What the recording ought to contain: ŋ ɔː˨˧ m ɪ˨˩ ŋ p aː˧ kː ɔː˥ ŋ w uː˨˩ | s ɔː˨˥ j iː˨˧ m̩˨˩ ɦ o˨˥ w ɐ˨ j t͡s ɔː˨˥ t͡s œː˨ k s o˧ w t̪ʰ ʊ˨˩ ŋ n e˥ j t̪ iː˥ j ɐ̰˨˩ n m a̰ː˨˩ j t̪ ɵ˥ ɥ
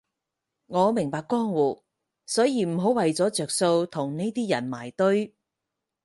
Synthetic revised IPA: ŋ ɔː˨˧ m ɪ˨˩ ŋ p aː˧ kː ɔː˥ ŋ w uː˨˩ | s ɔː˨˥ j iː˨˧ m̩˨˩ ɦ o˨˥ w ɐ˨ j t͡s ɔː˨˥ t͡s œː˨ k s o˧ w t̪ʰ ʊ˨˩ ŋ n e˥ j t̪ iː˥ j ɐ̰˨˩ n m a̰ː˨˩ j t̪ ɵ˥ ɥ